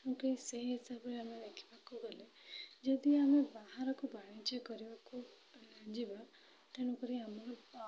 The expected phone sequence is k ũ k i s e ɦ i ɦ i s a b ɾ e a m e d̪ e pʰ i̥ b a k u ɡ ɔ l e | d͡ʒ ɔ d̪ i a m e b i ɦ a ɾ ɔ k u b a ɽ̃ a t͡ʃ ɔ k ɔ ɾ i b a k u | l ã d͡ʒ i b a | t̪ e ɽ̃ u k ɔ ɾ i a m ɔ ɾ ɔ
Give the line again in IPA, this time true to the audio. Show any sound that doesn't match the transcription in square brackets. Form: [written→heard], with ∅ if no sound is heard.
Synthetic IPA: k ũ k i s e ɦ i ɦ i s a b ɾ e a m e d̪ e [pʰ→kʰ] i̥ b a k u ɡ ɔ l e | d͡ʒ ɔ d̪ i a m e b [i→a] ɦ a ɾ ɔ k u b a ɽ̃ [a→i] t͡ʃ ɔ k ɔ ɾ i b a k u | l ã d͡ʒ i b a | t̪ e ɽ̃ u k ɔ ɾ i a m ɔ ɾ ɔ